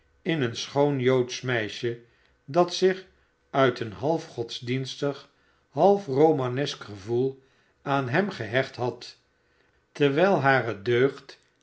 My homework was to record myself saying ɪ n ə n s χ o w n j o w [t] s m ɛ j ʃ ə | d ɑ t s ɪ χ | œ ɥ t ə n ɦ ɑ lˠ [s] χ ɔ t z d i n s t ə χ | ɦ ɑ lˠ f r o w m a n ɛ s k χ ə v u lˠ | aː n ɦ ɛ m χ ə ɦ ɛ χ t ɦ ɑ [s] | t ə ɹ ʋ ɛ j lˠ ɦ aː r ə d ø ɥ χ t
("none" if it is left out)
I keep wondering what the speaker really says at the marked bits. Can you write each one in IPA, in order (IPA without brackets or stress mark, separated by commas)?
t, f, t